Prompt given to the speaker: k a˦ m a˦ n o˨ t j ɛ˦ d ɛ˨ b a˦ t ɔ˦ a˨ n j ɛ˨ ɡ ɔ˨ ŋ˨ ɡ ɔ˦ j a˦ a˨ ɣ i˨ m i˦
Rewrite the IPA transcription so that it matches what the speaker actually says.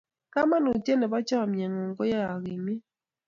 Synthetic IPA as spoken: k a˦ m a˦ n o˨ t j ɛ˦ n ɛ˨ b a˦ t͡ʃ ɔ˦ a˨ m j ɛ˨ ŋ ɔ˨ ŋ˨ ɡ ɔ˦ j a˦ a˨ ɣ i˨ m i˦

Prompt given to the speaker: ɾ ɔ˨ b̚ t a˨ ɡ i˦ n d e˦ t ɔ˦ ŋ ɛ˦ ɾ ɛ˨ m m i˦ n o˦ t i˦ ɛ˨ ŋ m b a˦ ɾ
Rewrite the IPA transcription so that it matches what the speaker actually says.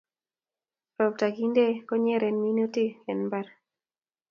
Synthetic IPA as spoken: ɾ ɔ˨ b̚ t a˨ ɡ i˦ n d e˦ k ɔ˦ ɲ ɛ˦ ɾ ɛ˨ n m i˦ n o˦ t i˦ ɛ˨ n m b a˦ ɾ

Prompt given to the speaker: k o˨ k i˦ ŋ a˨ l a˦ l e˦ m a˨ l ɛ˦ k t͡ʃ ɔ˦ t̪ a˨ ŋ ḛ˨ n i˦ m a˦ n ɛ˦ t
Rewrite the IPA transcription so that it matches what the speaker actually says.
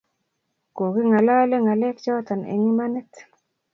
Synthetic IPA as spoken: k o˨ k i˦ ŋ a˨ l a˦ l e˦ ŋ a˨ l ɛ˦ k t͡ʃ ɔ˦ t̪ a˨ n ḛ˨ ŋ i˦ m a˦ n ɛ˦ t

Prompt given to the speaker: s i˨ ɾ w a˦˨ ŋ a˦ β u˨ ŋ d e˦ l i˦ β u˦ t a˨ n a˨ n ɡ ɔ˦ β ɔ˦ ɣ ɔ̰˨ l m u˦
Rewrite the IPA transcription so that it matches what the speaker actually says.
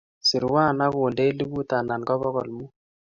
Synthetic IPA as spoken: s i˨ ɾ w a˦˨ n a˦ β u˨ n d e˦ l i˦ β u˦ t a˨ n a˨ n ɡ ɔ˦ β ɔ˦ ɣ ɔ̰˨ l m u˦

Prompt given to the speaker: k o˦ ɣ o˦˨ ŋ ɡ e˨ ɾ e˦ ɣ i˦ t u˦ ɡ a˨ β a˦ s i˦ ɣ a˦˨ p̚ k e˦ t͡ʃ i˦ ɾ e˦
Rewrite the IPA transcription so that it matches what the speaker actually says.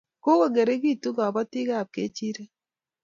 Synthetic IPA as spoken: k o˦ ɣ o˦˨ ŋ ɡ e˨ ɾ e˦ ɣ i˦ t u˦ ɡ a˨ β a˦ t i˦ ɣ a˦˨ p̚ k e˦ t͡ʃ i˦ ɾ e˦

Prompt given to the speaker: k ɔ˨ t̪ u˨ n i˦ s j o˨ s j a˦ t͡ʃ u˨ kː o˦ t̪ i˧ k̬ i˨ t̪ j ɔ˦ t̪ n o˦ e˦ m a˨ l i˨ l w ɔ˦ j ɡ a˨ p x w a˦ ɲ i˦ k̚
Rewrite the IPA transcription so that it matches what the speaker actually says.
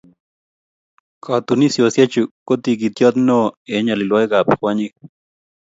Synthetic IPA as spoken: k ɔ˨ t̪ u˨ n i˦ s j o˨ s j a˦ t͡ʃ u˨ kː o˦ t̪ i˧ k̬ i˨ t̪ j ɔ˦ t̪ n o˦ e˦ ɲ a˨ l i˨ l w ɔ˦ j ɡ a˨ p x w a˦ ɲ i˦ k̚

